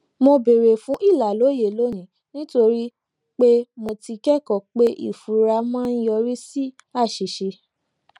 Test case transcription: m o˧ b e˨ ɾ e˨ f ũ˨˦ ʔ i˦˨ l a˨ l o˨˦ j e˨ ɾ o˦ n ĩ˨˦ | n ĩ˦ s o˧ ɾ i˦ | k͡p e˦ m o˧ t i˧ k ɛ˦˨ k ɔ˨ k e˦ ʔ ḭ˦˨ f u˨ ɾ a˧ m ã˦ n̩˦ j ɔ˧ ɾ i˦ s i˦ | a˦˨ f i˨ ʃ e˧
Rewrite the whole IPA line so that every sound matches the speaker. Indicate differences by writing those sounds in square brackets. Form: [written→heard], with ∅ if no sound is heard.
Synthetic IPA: m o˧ b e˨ ɾ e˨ f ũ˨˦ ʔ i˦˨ l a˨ l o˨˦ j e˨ [ɾ→l] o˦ n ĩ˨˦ | n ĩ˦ [s→t] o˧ ɾ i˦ | k͡p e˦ m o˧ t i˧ k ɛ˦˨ k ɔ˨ [k→k͡p] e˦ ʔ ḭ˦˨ f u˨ ɾ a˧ m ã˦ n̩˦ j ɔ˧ ɾ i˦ s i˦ | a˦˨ [f→ʃ] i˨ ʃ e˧